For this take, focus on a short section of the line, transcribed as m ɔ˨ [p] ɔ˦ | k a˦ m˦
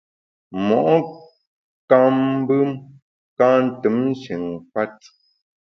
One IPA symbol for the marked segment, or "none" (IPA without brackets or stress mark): ʔ